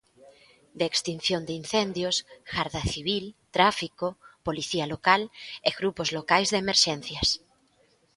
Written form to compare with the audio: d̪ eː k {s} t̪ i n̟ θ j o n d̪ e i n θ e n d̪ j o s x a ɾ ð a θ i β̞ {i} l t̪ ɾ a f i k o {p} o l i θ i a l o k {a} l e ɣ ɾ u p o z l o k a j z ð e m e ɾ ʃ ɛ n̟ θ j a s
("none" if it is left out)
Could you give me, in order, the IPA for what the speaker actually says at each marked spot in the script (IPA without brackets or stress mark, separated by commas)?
s, i, p, a